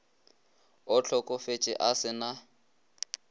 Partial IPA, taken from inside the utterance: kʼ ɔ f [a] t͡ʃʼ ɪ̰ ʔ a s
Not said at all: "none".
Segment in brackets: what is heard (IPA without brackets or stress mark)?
e